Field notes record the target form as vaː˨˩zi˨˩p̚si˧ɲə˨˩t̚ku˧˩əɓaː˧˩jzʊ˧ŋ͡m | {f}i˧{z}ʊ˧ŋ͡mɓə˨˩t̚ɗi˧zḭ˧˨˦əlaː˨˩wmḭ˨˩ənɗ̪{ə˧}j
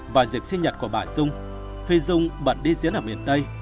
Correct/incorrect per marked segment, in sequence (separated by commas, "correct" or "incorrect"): correct, correct, correct